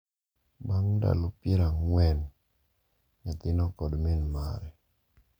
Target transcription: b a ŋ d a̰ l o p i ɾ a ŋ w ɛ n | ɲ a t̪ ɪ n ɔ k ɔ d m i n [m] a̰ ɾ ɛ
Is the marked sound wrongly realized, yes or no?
no